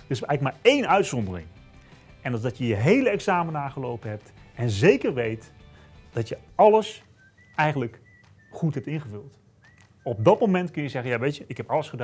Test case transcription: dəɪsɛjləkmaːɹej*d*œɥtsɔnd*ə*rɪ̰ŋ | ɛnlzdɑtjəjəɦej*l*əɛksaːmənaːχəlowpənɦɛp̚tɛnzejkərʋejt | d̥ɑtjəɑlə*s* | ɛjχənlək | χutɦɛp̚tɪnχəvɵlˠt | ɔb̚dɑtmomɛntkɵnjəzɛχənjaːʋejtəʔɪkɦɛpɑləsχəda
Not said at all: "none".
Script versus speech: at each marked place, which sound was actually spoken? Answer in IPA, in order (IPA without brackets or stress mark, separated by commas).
n, ə, l, s